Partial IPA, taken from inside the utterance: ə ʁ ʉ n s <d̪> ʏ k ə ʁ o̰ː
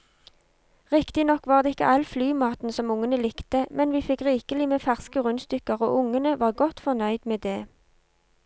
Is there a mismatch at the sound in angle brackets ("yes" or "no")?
yes